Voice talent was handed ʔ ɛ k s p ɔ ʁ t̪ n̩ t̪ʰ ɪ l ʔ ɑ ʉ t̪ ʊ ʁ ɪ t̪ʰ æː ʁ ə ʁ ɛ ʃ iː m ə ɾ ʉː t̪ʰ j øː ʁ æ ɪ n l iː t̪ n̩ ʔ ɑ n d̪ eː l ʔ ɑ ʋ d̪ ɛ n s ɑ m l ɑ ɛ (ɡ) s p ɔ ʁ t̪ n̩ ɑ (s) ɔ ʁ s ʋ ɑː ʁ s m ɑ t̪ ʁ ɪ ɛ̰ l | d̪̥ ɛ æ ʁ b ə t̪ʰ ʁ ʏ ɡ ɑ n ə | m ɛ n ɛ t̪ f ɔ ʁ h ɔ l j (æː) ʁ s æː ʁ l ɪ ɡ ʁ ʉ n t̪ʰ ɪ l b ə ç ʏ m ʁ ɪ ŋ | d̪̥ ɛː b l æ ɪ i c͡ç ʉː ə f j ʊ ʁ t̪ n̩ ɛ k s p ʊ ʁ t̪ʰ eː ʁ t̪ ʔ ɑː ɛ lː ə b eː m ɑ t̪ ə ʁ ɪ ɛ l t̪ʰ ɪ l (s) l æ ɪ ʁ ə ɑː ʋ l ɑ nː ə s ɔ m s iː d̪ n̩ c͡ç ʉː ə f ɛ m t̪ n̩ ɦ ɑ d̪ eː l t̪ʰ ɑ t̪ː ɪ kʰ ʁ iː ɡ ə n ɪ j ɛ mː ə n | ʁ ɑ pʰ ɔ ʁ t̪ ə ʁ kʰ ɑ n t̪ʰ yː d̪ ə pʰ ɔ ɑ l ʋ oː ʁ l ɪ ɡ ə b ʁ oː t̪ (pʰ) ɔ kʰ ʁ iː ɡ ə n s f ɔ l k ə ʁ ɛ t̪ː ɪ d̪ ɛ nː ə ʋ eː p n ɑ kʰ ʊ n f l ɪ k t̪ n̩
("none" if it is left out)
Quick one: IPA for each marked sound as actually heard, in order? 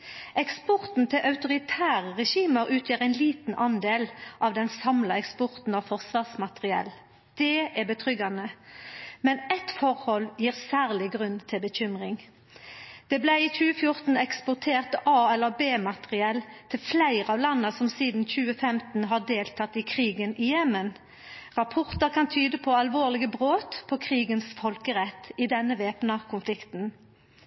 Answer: k, f, iː, f, pʰ

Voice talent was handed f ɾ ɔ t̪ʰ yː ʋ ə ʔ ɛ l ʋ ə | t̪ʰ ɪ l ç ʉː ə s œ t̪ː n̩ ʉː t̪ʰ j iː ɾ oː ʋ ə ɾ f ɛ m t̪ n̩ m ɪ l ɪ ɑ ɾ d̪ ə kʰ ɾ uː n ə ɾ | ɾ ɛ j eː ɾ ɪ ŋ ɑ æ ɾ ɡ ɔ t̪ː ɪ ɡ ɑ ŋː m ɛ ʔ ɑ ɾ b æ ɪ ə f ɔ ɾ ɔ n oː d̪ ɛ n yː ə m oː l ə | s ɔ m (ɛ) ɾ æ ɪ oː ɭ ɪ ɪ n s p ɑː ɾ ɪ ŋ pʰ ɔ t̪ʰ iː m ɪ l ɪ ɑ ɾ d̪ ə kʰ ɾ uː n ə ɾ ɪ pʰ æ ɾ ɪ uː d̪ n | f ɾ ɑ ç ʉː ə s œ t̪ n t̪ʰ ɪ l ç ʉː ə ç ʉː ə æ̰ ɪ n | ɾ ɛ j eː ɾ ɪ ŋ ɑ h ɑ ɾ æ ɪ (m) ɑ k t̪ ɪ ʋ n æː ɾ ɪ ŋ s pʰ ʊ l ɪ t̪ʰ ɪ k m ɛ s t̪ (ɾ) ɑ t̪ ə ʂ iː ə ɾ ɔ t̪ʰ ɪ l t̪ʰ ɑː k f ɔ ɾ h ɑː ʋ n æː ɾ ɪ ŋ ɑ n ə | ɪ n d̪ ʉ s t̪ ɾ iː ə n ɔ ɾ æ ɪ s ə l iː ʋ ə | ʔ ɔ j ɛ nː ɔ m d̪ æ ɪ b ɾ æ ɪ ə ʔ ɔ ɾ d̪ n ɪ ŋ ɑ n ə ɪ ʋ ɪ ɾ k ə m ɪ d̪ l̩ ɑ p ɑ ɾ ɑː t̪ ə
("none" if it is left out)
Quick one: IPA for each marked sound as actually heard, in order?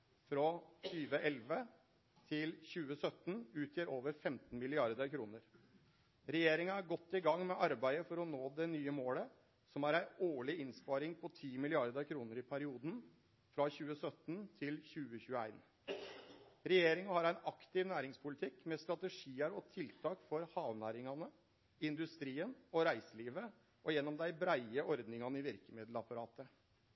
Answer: æ, n, ɾ

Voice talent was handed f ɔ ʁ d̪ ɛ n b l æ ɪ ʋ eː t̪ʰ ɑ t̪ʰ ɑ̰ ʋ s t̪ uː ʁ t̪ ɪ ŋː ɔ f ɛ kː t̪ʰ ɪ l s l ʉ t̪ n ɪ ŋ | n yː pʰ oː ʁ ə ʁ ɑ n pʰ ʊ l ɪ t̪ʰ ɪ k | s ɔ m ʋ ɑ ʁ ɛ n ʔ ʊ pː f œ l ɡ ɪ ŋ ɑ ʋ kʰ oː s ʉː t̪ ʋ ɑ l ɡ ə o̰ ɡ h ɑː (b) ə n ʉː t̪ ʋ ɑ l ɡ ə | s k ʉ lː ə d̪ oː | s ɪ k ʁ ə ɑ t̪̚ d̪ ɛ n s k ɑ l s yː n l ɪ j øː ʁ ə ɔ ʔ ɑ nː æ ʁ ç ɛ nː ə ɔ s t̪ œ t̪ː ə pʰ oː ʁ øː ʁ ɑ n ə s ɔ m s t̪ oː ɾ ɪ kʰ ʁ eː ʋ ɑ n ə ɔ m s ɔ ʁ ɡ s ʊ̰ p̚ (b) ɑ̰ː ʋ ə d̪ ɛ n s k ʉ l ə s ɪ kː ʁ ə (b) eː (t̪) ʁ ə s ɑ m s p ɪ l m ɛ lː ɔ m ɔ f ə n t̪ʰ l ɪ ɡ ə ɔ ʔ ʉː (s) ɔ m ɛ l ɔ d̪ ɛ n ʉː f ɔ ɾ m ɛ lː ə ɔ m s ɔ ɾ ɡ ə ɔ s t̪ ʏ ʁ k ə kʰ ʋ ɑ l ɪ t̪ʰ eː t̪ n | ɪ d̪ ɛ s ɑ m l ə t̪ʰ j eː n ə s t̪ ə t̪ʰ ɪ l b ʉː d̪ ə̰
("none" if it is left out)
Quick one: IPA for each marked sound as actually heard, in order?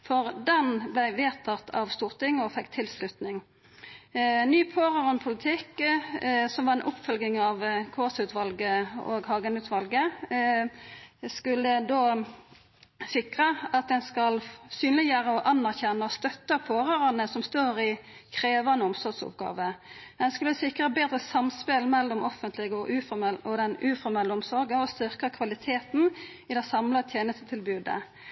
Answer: ɡ, ɡ, b, d̪, f

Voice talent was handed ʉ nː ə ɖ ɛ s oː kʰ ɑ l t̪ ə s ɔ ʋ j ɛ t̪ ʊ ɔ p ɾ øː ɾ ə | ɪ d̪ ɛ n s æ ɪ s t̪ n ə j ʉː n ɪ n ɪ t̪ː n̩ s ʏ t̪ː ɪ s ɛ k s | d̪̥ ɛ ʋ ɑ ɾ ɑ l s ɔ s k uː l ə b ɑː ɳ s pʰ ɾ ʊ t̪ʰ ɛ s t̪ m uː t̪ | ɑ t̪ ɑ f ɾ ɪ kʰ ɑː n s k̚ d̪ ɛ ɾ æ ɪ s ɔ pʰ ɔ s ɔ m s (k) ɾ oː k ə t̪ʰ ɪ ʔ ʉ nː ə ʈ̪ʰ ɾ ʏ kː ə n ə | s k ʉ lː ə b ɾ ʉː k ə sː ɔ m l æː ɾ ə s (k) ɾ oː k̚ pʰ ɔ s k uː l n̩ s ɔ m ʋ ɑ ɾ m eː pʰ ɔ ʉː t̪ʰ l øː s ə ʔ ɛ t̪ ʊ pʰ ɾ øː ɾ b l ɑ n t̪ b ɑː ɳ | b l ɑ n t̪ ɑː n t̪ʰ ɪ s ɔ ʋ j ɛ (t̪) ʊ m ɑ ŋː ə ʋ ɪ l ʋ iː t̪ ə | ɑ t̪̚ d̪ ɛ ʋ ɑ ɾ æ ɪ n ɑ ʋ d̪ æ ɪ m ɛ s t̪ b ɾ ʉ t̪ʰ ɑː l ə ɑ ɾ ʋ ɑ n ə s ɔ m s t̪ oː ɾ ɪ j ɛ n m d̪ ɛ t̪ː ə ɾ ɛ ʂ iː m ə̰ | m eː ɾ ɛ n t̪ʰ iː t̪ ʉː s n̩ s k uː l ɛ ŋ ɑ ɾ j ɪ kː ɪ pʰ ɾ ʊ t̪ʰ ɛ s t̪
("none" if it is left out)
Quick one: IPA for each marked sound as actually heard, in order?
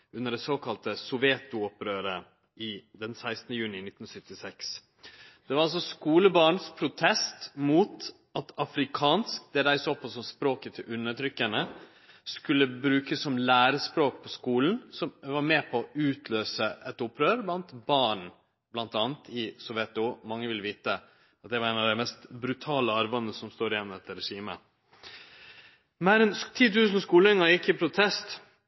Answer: p, p, t̪

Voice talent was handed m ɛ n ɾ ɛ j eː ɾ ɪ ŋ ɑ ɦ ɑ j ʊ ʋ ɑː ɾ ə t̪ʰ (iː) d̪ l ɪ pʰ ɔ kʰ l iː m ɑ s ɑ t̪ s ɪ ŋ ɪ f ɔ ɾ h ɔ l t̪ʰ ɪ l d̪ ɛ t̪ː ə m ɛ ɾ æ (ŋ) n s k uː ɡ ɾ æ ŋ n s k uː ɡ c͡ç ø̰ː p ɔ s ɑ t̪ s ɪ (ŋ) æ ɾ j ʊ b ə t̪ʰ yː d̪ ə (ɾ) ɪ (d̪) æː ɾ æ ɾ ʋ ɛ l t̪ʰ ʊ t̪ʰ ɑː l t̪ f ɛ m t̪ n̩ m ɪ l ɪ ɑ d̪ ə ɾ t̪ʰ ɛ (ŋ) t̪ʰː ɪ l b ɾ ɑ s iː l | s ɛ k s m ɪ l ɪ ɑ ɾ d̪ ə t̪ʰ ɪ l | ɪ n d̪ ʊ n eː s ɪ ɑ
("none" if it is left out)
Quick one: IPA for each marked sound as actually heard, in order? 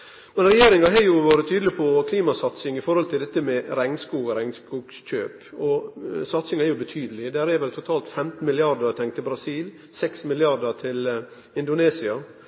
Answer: yː, ŋ, ŋ, l, d̪, ŋ

